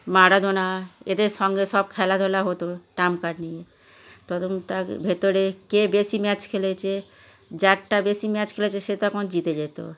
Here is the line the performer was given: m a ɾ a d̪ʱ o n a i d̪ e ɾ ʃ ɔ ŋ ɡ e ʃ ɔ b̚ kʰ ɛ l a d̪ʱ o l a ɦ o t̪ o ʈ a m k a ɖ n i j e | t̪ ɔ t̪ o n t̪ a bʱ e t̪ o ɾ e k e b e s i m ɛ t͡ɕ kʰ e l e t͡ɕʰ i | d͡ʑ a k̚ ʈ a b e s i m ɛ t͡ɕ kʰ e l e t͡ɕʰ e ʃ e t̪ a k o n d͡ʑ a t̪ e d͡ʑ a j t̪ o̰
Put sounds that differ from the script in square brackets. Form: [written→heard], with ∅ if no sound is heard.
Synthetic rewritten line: m a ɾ a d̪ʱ o n a [i→e] d̪ e ɾ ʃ ɔ ŋ ɡ e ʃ ɔ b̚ kʰ ɛ l a d̪ʱ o l a ɦ o t̪ o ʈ a m k a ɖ n i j e | t̪ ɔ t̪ o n t̪ a bʱ e t̪ o ɾ e k e b e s i m ɛ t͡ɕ kʰ e l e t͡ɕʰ [i→e] | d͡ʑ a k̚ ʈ a b e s i m ɛ t͡ɕ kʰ e l e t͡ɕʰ e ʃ e t̪ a k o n d͡ʑ [a→i] t̪ e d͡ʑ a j t̪ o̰